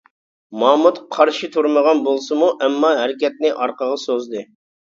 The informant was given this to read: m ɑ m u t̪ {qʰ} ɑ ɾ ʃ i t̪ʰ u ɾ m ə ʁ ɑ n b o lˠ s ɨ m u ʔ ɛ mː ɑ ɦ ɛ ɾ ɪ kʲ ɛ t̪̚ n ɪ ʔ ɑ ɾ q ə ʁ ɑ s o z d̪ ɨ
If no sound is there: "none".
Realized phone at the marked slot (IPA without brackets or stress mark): qʰ